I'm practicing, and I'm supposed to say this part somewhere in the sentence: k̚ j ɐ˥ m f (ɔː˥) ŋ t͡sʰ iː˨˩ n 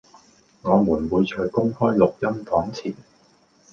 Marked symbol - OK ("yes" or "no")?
no